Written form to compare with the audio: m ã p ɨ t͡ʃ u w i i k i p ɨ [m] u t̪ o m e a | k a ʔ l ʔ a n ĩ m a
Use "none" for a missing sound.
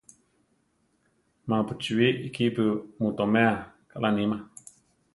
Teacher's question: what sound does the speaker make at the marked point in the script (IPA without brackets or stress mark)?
m